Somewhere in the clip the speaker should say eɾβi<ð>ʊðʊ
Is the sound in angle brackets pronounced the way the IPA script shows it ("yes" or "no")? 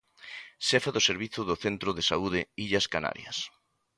no